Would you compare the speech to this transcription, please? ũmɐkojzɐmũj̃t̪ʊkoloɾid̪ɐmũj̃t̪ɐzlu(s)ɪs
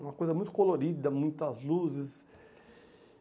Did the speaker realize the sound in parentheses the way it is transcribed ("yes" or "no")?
no